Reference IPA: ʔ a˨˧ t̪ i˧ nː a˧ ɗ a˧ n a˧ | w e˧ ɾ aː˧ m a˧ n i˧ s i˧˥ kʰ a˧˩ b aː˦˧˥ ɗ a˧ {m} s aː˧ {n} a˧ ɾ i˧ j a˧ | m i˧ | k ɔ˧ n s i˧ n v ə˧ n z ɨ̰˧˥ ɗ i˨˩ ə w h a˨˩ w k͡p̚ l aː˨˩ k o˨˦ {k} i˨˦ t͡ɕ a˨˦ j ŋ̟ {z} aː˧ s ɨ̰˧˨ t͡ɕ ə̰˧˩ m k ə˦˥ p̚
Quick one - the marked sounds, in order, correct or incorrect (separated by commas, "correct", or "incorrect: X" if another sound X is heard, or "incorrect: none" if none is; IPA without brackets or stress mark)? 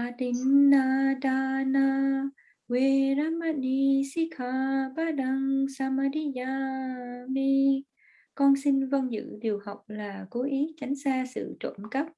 incorrect: ŋ, incorrect: m, incorrect: ʔ, incorrect: s